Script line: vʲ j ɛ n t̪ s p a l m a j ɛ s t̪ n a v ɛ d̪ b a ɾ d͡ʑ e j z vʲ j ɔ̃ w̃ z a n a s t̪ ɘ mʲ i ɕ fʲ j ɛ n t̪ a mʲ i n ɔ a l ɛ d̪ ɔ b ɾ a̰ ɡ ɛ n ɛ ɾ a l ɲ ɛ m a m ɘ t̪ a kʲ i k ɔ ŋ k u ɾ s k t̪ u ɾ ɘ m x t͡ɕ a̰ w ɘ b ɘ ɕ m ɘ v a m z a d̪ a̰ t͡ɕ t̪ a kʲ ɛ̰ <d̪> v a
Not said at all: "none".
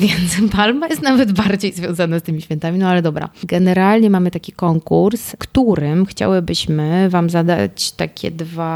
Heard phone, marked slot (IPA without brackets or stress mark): d̪